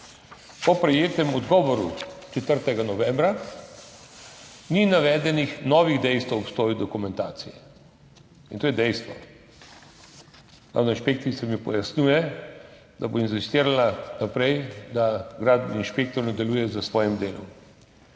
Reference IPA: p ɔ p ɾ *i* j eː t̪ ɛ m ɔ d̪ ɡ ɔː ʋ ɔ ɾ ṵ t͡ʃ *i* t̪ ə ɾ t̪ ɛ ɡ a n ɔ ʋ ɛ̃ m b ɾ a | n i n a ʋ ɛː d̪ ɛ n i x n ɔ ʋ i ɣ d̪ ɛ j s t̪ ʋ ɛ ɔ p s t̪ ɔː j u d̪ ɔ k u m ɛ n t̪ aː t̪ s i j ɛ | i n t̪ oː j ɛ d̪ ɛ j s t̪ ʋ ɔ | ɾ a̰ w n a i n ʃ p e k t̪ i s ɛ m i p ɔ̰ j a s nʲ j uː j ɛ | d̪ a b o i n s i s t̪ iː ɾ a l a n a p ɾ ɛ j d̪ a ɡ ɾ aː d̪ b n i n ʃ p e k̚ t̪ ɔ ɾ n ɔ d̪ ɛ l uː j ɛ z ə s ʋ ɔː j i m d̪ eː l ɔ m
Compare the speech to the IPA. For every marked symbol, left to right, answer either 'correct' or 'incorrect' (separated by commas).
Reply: incorrect, incorrect